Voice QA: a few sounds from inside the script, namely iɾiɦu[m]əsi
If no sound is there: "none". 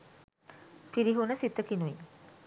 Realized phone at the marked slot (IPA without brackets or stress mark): n